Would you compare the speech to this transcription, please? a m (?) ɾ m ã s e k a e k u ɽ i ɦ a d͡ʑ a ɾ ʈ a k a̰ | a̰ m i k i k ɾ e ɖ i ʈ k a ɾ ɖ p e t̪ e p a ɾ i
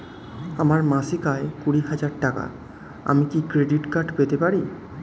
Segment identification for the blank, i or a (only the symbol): a